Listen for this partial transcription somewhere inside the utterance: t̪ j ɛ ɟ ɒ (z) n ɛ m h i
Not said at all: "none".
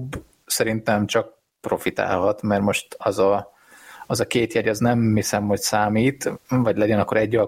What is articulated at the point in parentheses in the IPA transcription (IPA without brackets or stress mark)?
z